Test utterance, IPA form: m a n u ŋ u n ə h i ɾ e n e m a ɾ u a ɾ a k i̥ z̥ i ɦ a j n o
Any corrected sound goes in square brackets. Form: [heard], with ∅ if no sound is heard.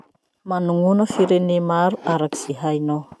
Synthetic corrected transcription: m a n u ŋ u n ə [f] i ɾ e n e m a ɾ u a ɾ a k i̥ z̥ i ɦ a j n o